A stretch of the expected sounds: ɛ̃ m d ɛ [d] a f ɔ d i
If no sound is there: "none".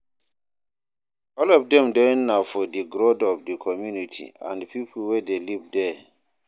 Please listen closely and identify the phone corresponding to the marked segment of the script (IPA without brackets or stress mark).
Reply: n